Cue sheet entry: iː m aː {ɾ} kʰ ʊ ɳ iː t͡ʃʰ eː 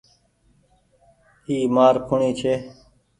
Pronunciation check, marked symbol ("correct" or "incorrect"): correct